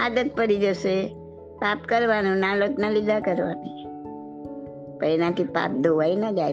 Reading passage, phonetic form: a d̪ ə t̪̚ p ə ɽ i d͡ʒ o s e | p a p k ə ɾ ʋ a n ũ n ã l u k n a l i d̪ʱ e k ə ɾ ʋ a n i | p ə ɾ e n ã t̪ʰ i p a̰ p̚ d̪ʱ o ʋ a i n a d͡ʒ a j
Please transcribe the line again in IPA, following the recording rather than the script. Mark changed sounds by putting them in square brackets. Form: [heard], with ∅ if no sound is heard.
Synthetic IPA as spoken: a d̪ ə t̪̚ p ə [ɾ] i d͡ʒ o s e | p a p k ə ɾ ʋ a n ũ n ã l [o] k n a l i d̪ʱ [a] k ə ɾ ʋ a n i | p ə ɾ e n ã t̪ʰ i p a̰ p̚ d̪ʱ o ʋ a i n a d͡ʒ a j